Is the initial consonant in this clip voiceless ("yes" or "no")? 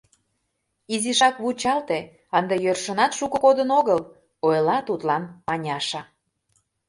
no